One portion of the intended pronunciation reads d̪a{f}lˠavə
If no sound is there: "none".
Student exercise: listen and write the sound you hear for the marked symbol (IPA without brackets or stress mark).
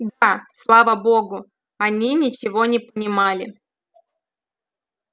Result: s